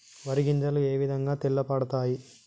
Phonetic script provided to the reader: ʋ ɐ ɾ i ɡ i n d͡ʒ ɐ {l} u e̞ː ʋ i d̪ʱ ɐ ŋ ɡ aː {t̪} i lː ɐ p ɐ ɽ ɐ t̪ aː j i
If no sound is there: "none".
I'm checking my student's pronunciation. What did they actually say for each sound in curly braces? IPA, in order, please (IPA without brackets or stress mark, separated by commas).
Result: l, t̪